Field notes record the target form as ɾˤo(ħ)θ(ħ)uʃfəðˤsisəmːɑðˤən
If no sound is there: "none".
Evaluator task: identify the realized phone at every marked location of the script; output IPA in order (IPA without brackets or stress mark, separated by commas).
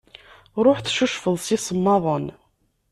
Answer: ħ, ʃ